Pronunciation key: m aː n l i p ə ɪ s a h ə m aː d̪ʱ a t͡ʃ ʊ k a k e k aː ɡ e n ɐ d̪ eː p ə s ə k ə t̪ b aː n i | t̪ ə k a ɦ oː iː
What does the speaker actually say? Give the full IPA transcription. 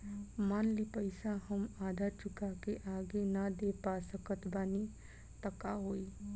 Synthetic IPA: m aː n l i p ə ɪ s a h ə m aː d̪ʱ a t͡ʃ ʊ k a k e ʔ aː ɡ e n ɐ d̪ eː p a s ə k ə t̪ b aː n i | t̪ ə k a ɦ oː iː